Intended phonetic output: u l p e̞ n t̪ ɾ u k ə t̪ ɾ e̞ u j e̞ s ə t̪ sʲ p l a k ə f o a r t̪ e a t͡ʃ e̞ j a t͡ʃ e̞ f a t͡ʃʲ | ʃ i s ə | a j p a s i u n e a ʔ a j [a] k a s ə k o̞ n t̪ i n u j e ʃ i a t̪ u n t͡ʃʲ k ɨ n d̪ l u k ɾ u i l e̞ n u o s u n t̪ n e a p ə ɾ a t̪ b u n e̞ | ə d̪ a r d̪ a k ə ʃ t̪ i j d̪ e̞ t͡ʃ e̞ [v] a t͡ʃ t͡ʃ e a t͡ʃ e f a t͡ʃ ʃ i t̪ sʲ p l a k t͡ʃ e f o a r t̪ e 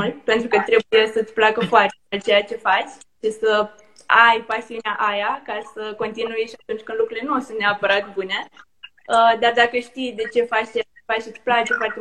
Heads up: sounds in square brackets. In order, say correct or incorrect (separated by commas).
correct, incorrect